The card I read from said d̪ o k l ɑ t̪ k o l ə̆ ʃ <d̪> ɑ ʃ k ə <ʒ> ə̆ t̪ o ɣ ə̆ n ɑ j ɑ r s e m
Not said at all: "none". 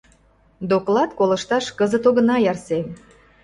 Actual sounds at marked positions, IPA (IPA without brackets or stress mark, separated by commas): t̪, z